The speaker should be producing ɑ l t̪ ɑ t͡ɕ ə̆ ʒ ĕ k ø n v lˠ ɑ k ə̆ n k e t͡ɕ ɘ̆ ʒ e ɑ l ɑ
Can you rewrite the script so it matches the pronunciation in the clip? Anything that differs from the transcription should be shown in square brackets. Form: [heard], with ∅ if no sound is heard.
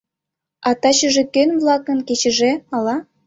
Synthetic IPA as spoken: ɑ [∅] t̪ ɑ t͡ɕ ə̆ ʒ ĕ k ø n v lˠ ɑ k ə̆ n k e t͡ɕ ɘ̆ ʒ e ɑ l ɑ

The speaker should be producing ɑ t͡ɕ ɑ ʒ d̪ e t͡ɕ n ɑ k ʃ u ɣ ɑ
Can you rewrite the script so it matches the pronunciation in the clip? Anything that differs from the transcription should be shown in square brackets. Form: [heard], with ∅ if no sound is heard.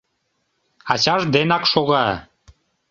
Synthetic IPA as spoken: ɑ t͡ɕ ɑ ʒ d̪ e [∅] n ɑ k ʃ [o] ɣ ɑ

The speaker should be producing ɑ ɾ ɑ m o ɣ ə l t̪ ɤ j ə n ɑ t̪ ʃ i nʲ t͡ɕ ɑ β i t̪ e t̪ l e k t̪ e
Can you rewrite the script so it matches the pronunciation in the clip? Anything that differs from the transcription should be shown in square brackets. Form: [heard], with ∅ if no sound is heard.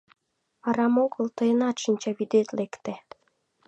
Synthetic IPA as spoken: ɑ ɾ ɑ m o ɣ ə l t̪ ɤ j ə n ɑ t̪ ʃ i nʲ t͡ɕ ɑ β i [d̪] e t̪ l e k t̪ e

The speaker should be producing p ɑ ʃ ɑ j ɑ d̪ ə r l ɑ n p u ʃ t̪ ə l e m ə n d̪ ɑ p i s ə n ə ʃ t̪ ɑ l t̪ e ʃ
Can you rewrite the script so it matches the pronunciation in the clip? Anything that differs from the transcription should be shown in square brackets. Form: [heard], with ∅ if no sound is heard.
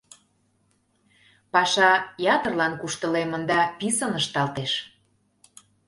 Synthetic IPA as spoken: p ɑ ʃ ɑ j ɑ [t̪] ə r l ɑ n [k] u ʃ t̪ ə l e m ə n d̪ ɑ p i s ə n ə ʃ t̪ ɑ l t̪ e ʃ

